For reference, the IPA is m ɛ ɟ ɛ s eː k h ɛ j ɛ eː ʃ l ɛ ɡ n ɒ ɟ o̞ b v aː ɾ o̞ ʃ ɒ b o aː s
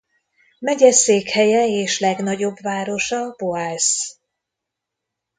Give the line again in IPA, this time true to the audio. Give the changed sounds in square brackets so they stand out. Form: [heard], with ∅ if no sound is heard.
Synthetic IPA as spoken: m ɛ ɟ ɛ s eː k h ɛ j ɛ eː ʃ l ɛ ɡ n ɒ ɟ o̞ b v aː ɾ o̞ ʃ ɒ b o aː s